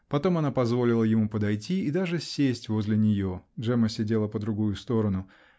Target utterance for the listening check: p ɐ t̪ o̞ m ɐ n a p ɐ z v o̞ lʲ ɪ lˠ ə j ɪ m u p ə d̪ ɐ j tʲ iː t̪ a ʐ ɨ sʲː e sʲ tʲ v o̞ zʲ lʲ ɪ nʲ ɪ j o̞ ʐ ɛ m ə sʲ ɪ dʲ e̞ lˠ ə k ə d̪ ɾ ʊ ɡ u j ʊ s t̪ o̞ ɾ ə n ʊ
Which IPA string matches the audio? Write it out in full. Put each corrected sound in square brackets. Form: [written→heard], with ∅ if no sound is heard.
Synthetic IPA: p ɐ t̪ o̞ m ɐ n a p ɐ z v o̞ lʲ ɪ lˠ ə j ɪ m u p ə d̪ ɐ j tʲ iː [t̪→d̪] a ʐ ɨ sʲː e sʲ tʲ v o̞ zʲ lʲ ɪ nʲ ɪ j o̞ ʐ ɛ m ə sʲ ɪ dʲ e̞ lˠ ə [k→p] ə d̪ ɾ ʊ ɡ u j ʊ s t̪ o̞ ɾ ə n ʊ

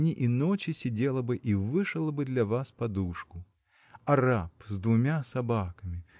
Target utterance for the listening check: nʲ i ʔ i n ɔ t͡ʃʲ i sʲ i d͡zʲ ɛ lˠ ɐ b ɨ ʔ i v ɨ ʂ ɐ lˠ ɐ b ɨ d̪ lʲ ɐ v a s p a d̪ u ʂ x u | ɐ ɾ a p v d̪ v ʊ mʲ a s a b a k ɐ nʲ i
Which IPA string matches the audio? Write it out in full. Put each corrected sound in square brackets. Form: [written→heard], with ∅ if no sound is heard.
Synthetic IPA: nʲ i ʔ i n ɔ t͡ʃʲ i sʲ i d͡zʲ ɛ lˠ ɐ b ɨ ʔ i v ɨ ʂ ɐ lˠ ɐ b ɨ d̪ lʲ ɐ v a s p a d̪ u ʂ [x→k] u | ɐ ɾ a p [v→z] d̪ v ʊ mʲ a s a b a k ɐ [nʲ→mʲ] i

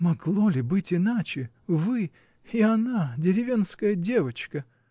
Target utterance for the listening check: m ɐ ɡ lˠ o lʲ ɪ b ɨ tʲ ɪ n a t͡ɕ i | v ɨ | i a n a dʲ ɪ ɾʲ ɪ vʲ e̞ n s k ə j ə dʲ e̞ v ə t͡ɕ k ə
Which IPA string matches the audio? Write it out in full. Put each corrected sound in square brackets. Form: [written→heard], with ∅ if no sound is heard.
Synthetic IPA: m ɐ ɡ lˠ o lʲ ɪ b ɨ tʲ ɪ n a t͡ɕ [i→ɪ] | v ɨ | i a n a dʲ ɪ ɾʲ ɪ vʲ e̞ n s k ə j ə dʲ e̞ v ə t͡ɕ k ə

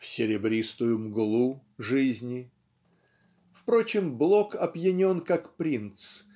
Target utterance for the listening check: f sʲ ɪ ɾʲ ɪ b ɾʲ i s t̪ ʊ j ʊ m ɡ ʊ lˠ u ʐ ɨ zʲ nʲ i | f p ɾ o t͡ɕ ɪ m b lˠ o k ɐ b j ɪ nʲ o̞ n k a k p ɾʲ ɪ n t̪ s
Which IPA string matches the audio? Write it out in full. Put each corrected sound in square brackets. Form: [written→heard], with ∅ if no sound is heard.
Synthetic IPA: f sʲ ɪ ɾʲ ɪ b ɾʲ i s t̪ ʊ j ʊ m ɡ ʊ lˠ u ʐ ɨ zʲ nʲ [i→ɪ] | f p ɾ o t͡ɕ ɪ m b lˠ o k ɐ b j ɪ nʲ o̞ n k a k p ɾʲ [ɪ→i] n t̪ s

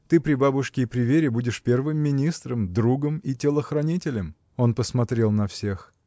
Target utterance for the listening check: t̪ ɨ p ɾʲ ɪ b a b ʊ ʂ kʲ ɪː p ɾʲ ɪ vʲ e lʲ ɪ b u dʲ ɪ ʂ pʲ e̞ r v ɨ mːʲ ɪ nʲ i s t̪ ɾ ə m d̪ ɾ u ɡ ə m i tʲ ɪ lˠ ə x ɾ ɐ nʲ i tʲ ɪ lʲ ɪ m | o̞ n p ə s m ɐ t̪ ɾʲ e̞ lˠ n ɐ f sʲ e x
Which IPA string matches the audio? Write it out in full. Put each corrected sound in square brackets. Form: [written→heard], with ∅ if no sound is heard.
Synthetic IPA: t̪ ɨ p ɾʲ ɪ b a b ʊ ʂ kʲ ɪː p ɾʲ ɪ vʲ e [lʲ→ɾʲ] ɪ b u dʲ ɪ ʂ pʲ e̞ r v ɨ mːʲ ɪ nʲ i s t̪ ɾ ə m d̪ ɾ u ɡ ə m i tʲ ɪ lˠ ə x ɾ ɐ nʲ i tʲ ɪ lʲ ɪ m | o̞ n p ə s m ɐ t̪ ɾʲ e̞ lˠ n ɐ f sʲ e x

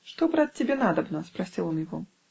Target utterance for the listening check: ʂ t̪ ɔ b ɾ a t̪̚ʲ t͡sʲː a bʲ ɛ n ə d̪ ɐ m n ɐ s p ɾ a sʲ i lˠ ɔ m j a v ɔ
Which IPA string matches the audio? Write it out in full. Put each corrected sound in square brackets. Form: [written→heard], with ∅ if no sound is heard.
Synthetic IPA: ʂ t̪ ɔ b ɾ a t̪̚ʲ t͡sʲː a bʲ ɛ n [ə→a] d̪ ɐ [m→b] n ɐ s p ɾ a sʲ i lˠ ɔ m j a [v→ɣ] ɔ

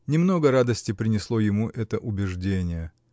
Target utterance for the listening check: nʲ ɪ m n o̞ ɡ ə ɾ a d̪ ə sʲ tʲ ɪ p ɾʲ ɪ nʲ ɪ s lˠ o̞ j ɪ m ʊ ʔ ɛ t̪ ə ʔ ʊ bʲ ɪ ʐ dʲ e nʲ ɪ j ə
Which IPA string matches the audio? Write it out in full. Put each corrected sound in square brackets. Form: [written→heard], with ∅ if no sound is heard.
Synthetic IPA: nʲ ɪ m n o̞ ɡ ə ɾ a d̪ ə sʲ tʲ ɪ p ɾʲ ɪ nʲ ɪ s lˠ o̞ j ɪ m [ʊ→u] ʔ ɛ t̪ ə ʔ ʊ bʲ ɪ ʐ dʲ e nʲ ɪ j ə

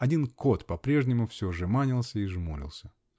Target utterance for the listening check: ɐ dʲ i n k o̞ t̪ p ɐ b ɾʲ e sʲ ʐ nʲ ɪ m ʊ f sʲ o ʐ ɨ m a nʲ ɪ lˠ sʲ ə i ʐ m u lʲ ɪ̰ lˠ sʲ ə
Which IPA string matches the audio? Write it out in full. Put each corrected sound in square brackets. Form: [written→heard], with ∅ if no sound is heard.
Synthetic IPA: ɐ dʲ i n k o̞ t̪ p ɐ [b→p] ɾʲ e [sʲ→∅] ʐ nʲ ɪ m ʊ f sʲ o ʐ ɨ m a nʲ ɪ lˠ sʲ ə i ʐ m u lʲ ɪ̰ lˠ sʲ ə

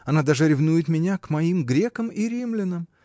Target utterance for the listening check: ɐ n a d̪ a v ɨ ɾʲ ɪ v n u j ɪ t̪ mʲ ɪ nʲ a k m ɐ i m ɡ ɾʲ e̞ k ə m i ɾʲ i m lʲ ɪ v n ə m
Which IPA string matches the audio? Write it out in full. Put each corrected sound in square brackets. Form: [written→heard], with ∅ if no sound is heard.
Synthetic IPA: ɐ n a d̪ a [v→ʐ] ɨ ɾʲ ɪ v n u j ɪ t̪ mʲ ɪ nʲ a k m ɐ i m ɡ ɾʲ e̞ k ə m i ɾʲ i m lʲ ɪ [v→∅] n ə m

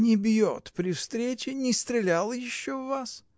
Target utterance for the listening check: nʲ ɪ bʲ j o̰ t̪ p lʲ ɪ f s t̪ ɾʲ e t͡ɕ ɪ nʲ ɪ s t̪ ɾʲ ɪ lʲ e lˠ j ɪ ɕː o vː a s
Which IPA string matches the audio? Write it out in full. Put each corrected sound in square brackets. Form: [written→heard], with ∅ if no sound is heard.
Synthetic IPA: nʲ ɪ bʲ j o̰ t̪ p [lʲ→ɾʲ] ɪ f s t̪ ɾʲ e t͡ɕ ɪ nʲ ɪ s t̪ ɾʲ ɪ lʲ [e→a] lˠ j ɪ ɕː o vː a s

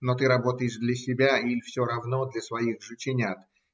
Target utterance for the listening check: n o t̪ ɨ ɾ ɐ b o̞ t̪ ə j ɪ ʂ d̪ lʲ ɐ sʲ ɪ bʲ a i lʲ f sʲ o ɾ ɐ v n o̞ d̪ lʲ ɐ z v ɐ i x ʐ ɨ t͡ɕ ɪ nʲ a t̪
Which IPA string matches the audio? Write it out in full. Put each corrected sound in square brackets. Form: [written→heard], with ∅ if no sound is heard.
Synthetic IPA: n o t̪ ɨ ɾ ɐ b o̞ t̪ ə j ɪ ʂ d̪ lʲ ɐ sʲ ɪ bʲ a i lʲ f sʲ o ɾ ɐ v n o̞ d̪ lʲ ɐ [z→s] v ɐ i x ʐ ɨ t͡ɕ ɪ nʲ a t̪

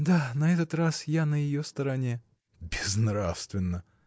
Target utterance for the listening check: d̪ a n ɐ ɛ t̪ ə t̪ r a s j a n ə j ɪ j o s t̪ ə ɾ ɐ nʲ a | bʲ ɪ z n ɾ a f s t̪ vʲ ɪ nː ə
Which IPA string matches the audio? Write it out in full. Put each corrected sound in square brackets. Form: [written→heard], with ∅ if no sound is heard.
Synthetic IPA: d̪ a n ɐ ɛ t̪ ə t̪ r a s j a n ə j ɪ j o s t̪ ə ɾ ɐ nʲ [a→e] | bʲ ɪ z n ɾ a f s t̪ vʲ ɪ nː ə

